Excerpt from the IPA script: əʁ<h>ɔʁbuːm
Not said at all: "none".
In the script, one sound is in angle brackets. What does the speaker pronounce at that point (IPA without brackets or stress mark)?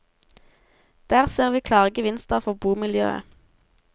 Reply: f